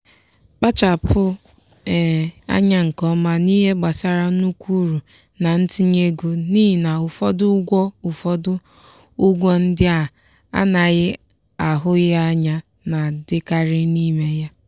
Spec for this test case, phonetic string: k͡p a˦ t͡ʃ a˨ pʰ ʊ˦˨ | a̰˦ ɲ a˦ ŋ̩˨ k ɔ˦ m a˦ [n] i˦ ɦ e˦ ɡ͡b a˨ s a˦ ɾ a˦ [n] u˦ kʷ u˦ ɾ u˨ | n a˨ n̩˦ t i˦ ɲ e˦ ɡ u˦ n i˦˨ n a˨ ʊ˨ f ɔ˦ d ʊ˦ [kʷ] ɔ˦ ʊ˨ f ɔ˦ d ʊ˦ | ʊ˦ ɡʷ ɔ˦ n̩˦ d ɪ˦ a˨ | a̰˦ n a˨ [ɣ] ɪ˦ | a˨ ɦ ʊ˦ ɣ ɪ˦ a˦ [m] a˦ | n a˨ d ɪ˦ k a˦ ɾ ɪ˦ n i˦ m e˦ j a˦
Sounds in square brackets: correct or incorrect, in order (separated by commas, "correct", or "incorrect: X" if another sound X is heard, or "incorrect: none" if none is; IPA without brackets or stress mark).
correct, correct, incorrect: ɡʷ, correct, incorrect: ɲ